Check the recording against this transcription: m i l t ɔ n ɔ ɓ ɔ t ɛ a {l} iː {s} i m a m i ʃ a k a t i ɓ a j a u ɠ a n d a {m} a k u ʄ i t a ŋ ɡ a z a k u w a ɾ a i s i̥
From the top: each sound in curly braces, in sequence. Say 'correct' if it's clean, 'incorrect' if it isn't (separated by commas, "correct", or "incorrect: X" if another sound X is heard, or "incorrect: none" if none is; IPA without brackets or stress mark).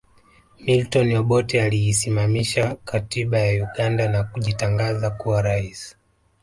correct, correct, incorrect: n